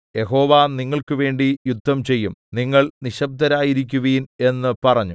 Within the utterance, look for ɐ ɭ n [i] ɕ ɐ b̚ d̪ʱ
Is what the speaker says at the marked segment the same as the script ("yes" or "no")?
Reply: yes